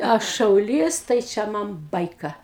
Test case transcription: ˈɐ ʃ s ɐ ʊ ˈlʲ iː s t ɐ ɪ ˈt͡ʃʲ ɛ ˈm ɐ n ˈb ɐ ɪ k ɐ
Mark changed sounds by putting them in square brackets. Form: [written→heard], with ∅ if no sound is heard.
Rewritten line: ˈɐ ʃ [s→ʃ] ɐ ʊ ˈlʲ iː s t ɐ ɪ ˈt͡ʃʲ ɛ ˈm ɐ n ˈb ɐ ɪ k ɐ